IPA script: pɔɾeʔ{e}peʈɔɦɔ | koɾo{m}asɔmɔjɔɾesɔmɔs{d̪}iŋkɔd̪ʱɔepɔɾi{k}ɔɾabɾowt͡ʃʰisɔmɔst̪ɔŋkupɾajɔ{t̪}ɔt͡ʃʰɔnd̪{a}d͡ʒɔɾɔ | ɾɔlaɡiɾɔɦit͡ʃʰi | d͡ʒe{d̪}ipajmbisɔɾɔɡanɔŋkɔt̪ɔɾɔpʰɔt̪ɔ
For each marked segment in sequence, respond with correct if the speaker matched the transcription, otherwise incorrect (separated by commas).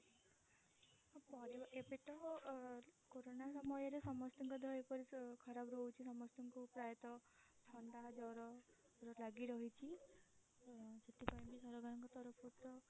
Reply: correct, incorrect, incorrect, incorrect, correct, correct, incorrect